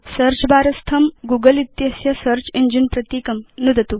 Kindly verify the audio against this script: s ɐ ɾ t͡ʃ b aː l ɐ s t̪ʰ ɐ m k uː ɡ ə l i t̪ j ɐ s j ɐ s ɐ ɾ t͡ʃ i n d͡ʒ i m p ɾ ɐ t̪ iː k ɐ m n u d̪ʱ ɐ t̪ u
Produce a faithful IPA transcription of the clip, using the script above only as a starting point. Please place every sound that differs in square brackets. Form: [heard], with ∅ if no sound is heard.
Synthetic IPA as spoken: s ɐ ɾ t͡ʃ b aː [ɾ] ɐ s t̪ʰ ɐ m [ɡ] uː ɡ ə l i t̪ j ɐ s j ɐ s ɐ ɾ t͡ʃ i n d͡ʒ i [n] p ɾ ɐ t̪ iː k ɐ m n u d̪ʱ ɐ t̪ u